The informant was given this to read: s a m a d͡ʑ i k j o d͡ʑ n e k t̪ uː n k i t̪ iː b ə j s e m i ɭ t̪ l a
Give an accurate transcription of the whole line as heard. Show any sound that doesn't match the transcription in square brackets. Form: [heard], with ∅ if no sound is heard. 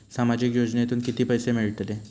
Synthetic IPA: s a m a d͡ʑ i k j o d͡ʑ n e [∅] t̪ uː n k i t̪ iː [p] ə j s e m i ɭ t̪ l [e]